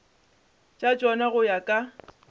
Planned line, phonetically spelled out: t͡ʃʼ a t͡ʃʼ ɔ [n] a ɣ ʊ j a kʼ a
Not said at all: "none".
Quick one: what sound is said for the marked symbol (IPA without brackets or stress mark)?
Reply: n